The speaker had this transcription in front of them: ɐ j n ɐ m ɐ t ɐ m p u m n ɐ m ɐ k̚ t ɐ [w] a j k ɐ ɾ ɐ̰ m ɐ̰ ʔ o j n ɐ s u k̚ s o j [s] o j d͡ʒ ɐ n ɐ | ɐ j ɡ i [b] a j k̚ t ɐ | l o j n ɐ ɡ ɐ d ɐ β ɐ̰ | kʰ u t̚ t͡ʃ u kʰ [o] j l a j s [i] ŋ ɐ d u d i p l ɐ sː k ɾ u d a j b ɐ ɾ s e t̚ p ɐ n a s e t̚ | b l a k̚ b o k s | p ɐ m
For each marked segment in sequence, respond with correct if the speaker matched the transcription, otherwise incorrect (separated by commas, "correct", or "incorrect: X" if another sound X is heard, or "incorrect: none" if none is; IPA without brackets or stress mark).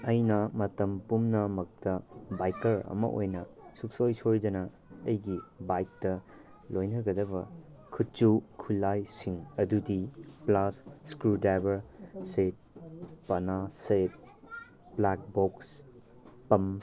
incorrect: b, correct, correct, incorrect: u, correct